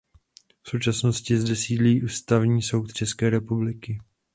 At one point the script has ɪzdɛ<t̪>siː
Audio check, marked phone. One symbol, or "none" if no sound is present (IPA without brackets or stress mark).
none